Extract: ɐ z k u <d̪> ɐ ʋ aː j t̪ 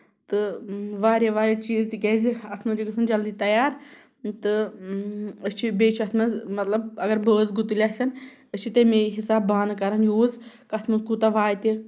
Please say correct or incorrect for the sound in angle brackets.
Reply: incorrect